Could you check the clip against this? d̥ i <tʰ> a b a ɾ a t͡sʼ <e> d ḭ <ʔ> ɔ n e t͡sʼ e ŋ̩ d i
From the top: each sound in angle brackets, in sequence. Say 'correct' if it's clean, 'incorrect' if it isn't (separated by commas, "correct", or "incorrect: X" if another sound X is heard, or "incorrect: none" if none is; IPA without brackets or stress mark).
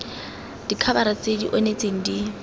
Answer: incorrect: kʰ, correct, correct